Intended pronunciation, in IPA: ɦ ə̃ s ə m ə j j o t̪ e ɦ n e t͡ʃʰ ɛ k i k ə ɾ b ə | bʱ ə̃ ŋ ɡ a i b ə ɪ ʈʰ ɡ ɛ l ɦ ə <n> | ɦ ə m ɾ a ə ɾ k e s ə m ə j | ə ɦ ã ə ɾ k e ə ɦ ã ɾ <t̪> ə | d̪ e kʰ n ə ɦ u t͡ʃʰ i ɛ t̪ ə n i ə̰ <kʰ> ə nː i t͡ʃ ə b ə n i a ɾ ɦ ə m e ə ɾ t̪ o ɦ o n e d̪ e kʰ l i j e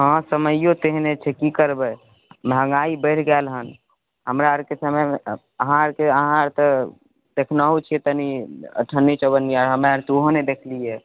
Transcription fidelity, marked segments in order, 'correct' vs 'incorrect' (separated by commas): correct, correct, incorrect